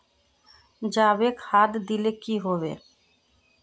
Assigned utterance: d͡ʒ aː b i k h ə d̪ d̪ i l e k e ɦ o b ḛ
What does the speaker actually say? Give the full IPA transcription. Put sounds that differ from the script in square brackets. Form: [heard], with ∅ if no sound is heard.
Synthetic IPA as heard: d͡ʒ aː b [e] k h [a] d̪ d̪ i l e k [i] ɦ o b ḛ